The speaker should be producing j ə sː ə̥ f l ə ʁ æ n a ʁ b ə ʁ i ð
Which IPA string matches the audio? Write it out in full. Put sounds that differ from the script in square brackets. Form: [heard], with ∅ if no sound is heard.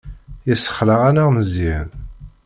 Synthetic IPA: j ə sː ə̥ [χ] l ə ʁ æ n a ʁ [m] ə [z] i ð